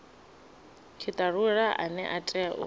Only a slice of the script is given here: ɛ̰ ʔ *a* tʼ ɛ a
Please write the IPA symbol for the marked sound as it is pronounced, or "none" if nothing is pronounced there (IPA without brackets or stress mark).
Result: a